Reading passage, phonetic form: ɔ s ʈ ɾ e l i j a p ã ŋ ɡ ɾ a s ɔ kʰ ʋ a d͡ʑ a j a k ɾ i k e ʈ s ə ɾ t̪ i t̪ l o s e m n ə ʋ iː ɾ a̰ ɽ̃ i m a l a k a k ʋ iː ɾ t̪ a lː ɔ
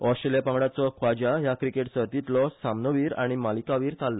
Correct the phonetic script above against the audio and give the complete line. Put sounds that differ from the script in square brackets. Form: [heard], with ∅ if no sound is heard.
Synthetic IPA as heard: ɔ s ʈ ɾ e l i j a p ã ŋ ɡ [ɽ] a [t͡s] ɔ kʰ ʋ a d͡ʑ a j a k ɾ i k e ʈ s ə ɾ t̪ i t̪ l [ɔ] s [a] m n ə ʋ iː ɾ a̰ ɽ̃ i m a l [i] k a [∅] ʋ iː ɾ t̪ a lː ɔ